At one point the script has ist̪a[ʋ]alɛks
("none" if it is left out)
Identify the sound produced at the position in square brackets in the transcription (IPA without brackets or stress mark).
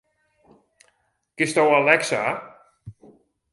w